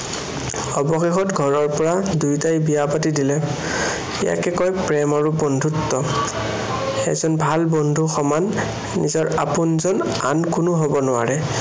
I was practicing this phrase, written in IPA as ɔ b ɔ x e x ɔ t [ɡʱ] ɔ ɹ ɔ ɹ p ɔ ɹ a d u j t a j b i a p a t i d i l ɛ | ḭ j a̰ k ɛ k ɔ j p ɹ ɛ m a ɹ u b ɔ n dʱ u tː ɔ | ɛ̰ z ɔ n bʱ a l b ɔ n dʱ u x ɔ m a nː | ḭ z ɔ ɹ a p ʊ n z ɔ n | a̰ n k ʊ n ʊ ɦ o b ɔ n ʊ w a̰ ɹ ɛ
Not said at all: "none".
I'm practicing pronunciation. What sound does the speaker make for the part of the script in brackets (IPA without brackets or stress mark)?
ɡʱ